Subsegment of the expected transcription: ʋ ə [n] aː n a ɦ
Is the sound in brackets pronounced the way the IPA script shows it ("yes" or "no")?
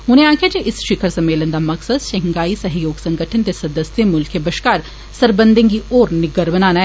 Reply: yes